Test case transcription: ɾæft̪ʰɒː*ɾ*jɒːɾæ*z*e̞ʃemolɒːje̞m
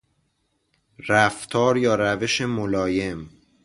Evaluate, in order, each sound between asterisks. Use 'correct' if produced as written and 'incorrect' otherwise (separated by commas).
correct, incorrect